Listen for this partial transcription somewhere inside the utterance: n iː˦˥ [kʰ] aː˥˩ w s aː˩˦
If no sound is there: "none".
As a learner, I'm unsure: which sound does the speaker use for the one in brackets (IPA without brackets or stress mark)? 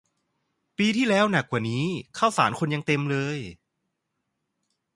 kʰ